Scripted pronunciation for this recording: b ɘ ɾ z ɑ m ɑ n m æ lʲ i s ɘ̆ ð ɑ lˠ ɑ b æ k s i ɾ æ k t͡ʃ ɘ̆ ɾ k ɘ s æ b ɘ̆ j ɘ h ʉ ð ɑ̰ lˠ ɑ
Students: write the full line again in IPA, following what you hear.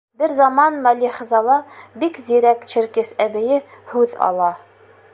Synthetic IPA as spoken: b ɘ ɾ z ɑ m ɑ n m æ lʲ i χ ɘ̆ z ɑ lˠ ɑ b i k z i ɾ æ k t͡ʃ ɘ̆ ɾ k ɘ s æ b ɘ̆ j ɘ h ʉ ð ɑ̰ lˠ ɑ